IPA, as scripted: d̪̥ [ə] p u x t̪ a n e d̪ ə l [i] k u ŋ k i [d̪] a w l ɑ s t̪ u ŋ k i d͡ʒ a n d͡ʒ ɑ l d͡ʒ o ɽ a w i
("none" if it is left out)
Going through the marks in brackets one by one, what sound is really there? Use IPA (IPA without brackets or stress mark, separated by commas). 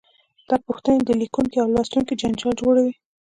ɑ, i, none